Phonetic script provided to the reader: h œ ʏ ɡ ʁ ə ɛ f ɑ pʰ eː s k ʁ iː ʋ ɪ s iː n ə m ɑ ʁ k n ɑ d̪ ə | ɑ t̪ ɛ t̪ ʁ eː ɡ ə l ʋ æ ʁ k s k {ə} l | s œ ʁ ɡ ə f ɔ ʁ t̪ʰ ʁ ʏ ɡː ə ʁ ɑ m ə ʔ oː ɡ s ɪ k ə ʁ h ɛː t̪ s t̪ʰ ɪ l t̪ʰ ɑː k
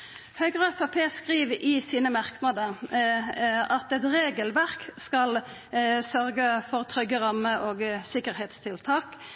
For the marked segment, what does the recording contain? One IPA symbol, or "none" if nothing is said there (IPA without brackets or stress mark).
ɑ